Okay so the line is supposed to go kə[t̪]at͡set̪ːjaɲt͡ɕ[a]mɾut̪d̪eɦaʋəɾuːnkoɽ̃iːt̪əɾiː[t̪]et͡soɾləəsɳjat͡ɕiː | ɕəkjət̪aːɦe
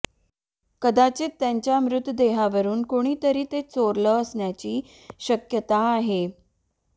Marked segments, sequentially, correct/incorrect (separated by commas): incorrect, correct, correct